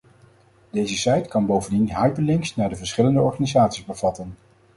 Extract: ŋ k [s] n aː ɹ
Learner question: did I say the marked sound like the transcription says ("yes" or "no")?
yes